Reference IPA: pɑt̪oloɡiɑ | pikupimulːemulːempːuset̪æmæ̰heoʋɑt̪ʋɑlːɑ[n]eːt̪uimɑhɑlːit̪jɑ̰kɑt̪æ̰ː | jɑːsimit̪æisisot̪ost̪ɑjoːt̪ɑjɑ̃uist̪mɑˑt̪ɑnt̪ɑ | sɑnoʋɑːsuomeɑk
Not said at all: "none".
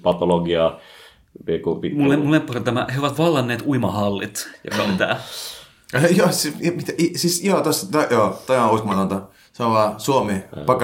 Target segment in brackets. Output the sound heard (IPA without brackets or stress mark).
nː